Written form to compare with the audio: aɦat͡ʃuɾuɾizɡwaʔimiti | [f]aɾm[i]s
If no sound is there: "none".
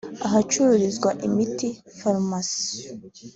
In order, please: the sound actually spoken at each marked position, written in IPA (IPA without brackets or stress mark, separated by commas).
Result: f, a